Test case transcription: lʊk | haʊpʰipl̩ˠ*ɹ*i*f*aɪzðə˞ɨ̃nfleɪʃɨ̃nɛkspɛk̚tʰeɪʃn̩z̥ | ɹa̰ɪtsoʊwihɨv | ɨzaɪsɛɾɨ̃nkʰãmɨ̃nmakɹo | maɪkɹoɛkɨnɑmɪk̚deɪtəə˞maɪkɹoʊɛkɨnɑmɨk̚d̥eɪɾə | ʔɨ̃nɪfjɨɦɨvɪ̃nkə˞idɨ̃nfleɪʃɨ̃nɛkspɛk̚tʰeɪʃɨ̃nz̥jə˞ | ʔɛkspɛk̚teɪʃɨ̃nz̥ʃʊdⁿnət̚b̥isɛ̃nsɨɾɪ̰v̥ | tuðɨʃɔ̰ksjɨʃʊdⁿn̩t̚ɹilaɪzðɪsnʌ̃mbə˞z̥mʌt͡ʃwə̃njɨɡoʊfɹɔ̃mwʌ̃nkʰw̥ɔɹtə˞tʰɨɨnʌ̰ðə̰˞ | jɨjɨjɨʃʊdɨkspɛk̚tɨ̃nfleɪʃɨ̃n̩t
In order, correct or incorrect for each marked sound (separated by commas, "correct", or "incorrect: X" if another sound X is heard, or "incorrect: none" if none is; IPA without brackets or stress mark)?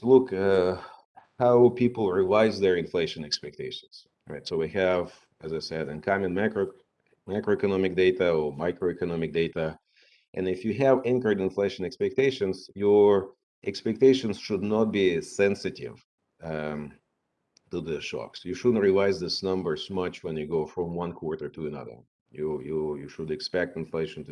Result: correct, incorrect: v